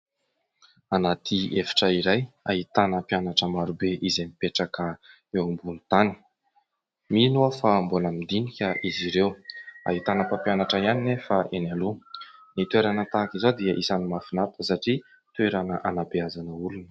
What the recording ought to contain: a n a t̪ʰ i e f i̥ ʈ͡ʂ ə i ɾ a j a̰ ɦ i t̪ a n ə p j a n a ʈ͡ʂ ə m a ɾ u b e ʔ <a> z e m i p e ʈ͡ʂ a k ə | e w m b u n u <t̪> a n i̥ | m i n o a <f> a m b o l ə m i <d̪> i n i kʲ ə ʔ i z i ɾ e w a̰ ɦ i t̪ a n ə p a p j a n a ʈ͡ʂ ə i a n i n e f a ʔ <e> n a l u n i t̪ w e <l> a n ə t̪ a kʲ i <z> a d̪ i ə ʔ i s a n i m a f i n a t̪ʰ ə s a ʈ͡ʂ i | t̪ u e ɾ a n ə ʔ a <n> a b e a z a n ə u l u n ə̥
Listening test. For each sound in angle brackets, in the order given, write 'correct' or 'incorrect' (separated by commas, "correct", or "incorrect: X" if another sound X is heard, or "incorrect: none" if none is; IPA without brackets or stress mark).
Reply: incorrect: i, correct, correct, correct, correct, incorrect: ɾ, correct, correct